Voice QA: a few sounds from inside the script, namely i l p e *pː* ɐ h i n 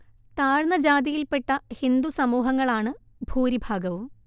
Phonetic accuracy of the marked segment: incorrect: ʈː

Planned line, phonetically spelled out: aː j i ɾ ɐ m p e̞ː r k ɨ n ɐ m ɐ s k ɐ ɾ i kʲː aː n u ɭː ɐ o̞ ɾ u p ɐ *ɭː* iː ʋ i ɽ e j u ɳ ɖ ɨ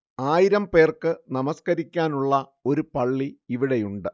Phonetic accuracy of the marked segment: correct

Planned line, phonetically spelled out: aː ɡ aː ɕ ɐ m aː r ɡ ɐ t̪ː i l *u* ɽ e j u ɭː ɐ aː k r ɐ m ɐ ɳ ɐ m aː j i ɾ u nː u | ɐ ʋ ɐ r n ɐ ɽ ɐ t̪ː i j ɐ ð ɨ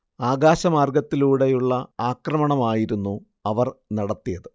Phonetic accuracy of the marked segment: incorrect: uː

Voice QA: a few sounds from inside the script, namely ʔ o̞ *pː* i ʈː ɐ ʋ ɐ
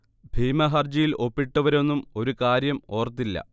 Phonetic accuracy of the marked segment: correct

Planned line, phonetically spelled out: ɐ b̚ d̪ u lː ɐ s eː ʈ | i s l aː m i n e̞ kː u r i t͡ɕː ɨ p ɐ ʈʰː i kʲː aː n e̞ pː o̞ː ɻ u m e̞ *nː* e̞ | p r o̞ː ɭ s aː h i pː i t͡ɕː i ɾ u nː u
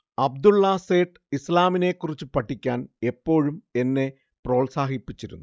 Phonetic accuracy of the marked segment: correct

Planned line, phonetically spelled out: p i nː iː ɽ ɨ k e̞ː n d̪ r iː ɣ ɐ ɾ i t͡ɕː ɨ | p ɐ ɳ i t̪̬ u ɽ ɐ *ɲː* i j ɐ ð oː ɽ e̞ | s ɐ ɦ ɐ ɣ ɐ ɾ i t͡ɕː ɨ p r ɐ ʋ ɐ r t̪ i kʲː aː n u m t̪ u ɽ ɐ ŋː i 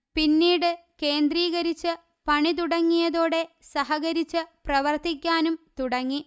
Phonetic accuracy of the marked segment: incorrect: ŋː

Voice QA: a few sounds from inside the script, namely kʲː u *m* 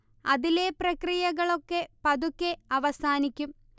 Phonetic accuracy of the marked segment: correct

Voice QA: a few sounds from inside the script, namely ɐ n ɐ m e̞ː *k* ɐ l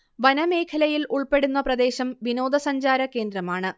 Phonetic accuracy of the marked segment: incorrect: kʰ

